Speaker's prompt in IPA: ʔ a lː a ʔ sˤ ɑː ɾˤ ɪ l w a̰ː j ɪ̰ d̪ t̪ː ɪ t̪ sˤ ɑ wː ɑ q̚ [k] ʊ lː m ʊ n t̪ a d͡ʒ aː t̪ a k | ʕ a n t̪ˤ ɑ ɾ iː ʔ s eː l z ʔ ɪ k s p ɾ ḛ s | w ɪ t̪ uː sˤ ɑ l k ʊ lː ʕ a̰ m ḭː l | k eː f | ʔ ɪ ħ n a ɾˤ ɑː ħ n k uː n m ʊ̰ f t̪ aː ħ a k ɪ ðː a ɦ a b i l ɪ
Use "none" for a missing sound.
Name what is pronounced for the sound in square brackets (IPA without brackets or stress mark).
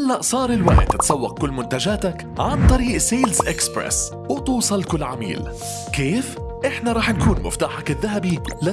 k